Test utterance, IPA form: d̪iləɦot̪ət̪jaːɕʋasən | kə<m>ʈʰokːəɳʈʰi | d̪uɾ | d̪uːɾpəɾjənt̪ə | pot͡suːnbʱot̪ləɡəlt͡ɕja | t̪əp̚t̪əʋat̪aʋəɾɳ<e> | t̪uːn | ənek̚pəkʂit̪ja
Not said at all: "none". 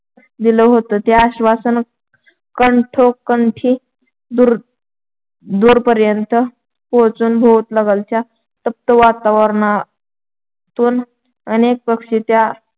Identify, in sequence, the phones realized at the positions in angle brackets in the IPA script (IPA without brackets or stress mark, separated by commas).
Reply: ɳ, a